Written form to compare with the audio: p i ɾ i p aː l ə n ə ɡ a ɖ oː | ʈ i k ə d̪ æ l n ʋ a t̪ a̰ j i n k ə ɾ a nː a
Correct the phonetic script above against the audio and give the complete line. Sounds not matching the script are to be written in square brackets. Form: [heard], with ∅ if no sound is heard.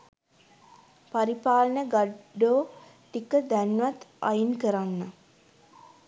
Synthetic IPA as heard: p [a] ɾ i p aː l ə n ə ɡ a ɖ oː | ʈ i k ə d̪ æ [∅] n ʋ a t̪ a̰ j i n k ə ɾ a nː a